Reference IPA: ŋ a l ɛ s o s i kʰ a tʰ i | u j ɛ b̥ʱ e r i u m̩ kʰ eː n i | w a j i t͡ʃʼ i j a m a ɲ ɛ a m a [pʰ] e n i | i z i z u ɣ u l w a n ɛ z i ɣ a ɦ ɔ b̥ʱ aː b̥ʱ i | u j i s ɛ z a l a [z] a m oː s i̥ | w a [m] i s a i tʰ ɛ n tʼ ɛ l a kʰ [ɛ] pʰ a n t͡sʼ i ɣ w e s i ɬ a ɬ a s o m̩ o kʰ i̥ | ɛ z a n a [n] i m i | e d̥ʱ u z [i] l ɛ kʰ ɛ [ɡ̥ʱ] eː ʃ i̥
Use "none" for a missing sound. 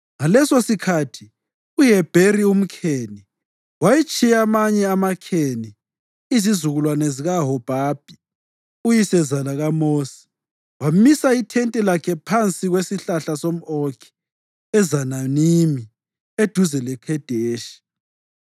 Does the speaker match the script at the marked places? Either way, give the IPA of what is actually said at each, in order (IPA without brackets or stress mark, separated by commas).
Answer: kʰ, ɣ, m, ɛ, n, ɛ, d̥ʱ